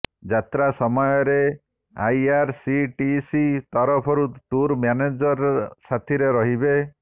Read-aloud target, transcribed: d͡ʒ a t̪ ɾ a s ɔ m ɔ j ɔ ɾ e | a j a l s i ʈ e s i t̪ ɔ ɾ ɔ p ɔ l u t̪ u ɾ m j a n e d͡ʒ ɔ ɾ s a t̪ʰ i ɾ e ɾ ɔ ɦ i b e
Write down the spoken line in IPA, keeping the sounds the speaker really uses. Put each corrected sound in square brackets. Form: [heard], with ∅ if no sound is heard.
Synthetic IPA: d͡ʒ a t̪ ɾ a s ɔ m ɔ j ɔ ɾ e | a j a [ɾ] s i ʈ [i] s i t̪ ɔ ɾ ɔ [pʰ] ɔ [ɾ] u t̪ u ɾ m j a n e d͡ʒ ɔ ɾ s a t̪ʰ i ɾ e ɾ ɔ ɦ i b e